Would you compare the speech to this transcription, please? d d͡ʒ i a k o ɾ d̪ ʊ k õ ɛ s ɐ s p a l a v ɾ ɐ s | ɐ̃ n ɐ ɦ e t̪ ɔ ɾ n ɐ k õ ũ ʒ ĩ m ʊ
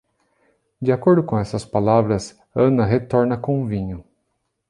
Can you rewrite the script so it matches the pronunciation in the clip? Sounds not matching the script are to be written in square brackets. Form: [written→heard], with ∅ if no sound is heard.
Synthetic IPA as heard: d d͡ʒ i a k o ɾ d̪ ʊ k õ ɛ s ɐ s p a l a v ɾ ɐ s | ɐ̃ n ɐ ɦ e t̪ ɔ ɾ n ɐ k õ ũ [ʒ→v] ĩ [m→ɲ] ʊ

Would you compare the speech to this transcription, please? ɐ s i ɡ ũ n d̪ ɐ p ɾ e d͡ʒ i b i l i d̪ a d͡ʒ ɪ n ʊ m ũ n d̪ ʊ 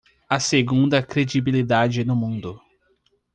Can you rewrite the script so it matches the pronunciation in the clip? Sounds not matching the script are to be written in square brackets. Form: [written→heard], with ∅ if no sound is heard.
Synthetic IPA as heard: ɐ s [i→e] ɡ ũ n d̪ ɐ [p→k] ɾ e d͡ʒ i b i l i d̪ a d͡ʒ ɪ n ʊ m ũ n d̪ ʊ

